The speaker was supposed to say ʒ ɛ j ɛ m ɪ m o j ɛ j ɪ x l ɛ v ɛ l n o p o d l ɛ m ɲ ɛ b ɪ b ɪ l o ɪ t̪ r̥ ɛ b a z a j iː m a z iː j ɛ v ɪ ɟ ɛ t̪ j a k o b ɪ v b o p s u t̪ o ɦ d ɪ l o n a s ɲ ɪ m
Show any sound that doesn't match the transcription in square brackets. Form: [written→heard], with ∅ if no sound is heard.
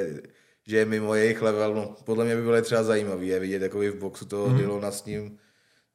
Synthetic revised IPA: ʒ ɛ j ɛ m ɪ m o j ɛ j ɪ x l ɛ v ɛ l n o p o d l ɛ m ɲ ɛ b ɪ b ɪ l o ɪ t̪ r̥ ɛ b a z a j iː m a [z→v] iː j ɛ v ɪ ɟ ɛ t̪ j a k o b ɪ v b o [p→k] s u t̪ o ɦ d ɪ l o n a s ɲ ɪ m